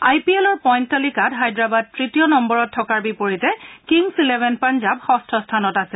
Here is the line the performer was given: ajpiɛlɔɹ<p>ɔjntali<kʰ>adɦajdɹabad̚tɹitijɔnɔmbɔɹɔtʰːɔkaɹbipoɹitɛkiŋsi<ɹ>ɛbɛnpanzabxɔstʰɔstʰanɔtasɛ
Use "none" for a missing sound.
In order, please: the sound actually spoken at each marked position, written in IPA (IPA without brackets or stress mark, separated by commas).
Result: p, k, l